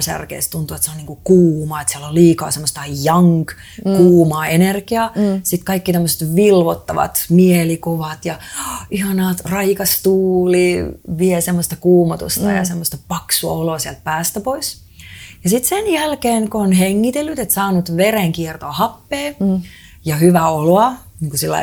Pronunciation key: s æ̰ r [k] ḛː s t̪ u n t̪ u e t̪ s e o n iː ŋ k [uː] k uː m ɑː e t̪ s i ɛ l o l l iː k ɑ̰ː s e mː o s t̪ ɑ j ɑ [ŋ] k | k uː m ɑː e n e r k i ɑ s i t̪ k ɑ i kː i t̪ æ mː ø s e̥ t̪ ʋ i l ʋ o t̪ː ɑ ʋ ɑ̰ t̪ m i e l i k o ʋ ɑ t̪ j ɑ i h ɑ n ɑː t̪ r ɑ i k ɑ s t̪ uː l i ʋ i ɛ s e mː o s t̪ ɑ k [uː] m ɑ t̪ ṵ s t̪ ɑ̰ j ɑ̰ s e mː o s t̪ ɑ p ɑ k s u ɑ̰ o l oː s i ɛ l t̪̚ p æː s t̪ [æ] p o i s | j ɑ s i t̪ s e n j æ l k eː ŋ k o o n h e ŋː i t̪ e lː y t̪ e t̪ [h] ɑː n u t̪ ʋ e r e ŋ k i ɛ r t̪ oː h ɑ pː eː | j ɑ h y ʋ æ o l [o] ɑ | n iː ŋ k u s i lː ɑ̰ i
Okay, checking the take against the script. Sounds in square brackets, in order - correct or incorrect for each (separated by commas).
correct, incorrect, correct, correct, correct, incorrect, correct